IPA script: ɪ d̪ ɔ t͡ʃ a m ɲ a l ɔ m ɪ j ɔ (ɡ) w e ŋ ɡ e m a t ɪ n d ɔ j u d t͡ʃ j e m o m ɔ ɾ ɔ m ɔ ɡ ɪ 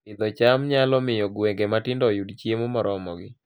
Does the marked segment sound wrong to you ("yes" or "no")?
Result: no